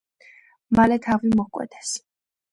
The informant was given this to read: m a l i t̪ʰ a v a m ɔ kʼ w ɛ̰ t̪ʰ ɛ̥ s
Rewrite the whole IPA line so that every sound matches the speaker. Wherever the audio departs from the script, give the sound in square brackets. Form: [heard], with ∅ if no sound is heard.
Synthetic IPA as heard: m a l [ɛ] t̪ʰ a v [i] m ɔ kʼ w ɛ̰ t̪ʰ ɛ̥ s